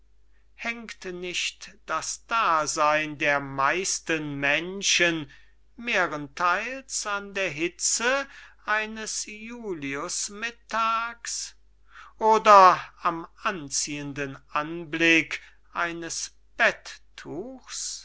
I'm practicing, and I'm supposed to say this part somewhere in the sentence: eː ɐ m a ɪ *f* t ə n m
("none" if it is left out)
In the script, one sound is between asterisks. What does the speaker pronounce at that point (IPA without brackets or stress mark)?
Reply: s